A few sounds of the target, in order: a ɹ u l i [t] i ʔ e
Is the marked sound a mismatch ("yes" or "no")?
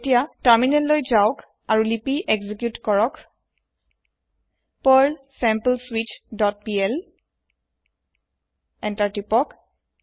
yes